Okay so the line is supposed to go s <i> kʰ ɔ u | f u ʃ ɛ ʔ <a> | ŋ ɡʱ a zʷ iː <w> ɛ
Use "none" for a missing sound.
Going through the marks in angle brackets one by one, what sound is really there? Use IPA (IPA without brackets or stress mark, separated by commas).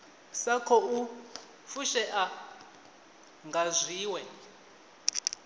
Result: a, a, w